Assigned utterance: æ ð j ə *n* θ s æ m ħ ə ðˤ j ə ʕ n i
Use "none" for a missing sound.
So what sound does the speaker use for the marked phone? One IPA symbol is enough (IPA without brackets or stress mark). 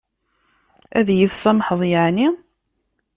none